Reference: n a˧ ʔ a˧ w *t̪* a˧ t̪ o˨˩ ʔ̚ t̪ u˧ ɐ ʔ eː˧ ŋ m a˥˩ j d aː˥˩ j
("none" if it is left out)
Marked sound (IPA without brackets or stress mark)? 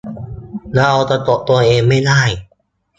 t̪